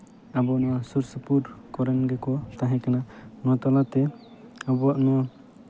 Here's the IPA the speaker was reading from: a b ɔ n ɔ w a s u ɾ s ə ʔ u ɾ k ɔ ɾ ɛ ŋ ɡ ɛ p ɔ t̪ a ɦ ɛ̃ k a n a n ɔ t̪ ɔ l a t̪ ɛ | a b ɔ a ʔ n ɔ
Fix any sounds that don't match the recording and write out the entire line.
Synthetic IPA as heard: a b ɔ n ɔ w a s u ɾ s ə p u ɾ k ɔ ɾ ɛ n ɡ ɛ k ɔ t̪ a ɦ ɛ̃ k a n a n ɔ t̪ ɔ l a t̪ ɛ | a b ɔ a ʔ n ɔ